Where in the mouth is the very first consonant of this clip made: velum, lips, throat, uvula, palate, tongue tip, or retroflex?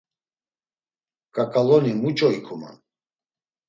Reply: velum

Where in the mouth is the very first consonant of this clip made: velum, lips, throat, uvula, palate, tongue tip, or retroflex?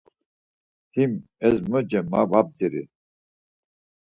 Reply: throat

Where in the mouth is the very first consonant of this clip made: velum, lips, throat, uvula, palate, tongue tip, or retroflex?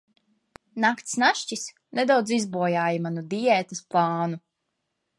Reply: tongue tip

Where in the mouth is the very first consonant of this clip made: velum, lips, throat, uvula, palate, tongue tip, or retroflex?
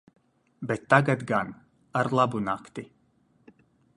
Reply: lips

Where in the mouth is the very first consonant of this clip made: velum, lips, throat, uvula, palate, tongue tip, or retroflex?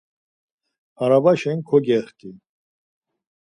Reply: tongue tip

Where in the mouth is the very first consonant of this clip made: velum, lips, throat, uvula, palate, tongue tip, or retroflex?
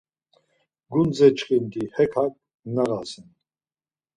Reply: velum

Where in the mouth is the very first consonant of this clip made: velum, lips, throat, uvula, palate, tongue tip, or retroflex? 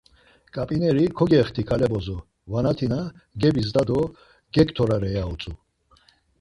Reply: velum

